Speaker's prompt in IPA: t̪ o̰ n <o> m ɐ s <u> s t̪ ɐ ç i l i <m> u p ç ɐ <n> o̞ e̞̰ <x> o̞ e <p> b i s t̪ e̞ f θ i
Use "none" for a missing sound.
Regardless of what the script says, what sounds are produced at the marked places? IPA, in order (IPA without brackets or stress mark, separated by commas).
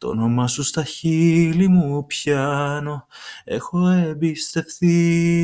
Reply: o, u, m, n, x, none